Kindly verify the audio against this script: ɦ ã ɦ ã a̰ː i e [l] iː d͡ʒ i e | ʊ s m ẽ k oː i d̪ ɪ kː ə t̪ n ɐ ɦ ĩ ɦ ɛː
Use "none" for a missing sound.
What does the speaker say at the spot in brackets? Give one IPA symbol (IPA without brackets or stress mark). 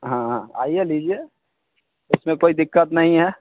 l